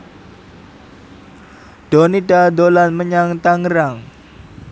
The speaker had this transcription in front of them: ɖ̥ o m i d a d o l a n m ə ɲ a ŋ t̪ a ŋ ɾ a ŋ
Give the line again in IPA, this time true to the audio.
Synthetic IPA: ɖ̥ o n i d a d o l a n m ə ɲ a ŋ t̪ a ŋ ɾ a ŋ